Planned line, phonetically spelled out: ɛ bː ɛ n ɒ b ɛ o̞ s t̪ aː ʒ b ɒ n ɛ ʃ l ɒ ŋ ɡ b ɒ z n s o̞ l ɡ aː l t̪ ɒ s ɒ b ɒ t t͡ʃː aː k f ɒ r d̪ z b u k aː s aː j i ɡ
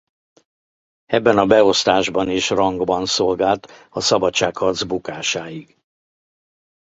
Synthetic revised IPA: ɛ bː ɛ n ɒ b ɛ o̞ s t̪ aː ʒ b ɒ n i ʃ r ɒ ŋ ɡ b ɒ n s o̞ l ɡ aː l t̪ ɒ s ɒ b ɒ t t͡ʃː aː k h ɒ r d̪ z b u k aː ʃ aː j i ɡ